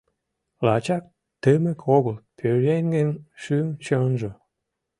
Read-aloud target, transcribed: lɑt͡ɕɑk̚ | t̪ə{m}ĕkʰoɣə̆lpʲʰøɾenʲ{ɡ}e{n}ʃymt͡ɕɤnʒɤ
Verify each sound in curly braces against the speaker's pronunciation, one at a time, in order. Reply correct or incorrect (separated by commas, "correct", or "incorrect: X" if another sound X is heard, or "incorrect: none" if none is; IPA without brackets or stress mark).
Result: correct, correct, correct